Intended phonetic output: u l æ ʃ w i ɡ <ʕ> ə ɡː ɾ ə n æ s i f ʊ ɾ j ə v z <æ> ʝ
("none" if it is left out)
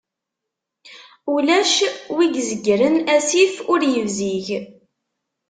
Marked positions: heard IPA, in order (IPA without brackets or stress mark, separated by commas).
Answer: z, i